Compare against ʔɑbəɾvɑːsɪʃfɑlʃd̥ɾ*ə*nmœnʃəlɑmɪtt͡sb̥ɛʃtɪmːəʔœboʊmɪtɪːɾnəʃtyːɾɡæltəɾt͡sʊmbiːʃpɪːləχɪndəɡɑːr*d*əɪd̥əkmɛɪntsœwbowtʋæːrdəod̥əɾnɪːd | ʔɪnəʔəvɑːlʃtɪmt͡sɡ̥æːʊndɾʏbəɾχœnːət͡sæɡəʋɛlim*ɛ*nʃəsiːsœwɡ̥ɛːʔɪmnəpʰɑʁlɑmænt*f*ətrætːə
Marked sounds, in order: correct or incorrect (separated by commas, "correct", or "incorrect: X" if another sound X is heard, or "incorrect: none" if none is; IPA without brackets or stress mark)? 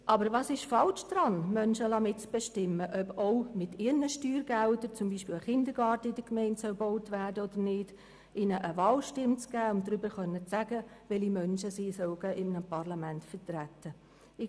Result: incorrect: ɑ, incorrect: t, incorrect: œ, correct